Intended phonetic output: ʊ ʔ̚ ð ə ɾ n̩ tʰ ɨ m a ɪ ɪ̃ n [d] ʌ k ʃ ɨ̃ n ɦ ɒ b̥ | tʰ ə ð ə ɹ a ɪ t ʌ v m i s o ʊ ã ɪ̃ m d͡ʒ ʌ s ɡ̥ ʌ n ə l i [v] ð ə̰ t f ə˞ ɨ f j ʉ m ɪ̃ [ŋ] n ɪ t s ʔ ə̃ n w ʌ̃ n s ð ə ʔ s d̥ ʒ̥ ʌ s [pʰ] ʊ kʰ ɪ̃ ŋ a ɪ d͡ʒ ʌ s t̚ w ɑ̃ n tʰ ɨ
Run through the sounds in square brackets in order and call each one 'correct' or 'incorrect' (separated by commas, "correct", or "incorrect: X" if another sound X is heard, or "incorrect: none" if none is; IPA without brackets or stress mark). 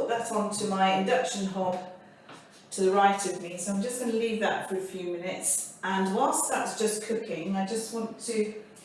correct, correct, incorrect: none, incorrect: kʰ